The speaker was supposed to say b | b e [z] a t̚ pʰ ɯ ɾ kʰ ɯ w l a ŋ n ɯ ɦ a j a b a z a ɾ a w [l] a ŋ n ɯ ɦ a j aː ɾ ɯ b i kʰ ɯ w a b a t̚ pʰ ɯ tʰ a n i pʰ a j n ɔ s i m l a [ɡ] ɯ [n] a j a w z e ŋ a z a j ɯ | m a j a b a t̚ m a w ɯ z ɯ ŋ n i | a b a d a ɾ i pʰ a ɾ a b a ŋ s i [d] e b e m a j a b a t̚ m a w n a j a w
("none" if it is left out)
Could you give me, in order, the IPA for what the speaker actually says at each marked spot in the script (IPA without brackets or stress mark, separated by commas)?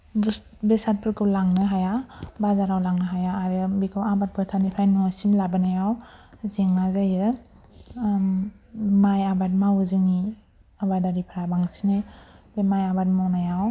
s, l, b, n, n